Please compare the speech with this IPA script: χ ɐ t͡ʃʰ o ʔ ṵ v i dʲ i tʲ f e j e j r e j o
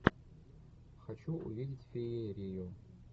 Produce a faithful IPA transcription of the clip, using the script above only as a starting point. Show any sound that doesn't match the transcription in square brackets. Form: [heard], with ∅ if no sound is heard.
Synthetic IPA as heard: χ [a] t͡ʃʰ [u] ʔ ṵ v i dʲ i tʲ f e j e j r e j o